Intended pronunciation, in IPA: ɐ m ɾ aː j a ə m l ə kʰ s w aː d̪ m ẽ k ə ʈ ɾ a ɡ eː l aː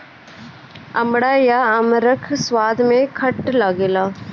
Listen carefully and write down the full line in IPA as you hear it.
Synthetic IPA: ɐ m ɽ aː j a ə m ɾ ə kʰ s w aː d̪ m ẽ kʰ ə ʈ l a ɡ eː l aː